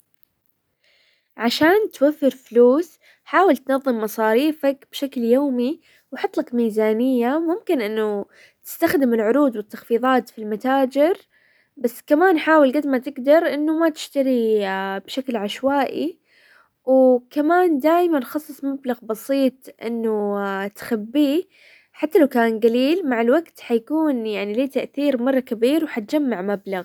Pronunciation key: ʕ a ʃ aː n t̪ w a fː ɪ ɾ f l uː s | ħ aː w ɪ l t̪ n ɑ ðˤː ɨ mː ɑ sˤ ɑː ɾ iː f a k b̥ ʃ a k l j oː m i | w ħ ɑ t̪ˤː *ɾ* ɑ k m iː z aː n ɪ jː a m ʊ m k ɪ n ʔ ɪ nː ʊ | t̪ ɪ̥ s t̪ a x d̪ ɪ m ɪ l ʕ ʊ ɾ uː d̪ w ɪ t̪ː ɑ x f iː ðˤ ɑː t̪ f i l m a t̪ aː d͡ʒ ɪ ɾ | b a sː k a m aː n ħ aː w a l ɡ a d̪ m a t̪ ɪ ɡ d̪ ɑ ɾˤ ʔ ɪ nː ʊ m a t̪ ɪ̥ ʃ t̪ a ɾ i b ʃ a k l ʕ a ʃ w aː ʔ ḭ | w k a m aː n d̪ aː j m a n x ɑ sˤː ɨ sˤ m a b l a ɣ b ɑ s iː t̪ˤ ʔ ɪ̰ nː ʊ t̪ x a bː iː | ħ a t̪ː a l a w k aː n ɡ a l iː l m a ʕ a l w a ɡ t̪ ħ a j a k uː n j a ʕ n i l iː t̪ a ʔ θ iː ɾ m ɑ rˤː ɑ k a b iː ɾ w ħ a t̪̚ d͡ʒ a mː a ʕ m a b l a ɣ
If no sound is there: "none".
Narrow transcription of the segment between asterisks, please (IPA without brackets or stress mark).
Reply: l